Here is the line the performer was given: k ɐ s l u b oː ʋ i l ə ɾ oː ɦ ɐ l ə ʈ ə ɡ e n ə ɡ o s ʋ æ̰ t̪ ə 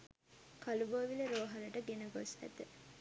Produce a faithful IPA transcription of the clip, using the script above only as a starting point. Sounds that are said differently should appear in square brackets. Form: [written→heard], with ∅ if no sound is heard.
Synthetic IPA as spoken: k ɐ [s→∅] l u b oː ʋ i l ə ɾ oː ɦ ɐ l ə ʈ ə ɡ e n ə ɡ o s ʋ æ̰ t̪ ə